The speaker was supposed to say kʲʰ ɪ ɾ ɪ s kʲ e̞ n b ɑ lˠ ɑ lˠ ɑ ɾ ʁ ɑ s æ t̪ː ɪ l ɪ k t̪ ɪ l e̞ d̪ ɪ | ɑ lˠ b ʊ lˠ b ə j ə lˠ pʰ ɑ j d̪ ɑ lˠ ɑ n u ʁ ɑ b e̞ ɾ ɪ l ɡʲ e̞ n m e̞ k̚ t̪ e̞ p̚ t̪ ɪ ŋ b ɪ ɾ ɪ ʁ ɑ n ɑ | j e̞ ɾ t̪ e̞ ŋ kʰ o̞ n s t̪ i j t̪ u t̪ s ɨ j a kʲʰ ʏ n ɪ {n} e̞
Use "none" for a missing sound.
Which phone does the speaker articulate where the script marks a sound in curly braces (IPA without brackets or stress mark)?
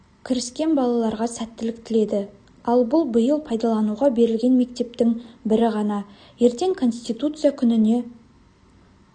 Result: n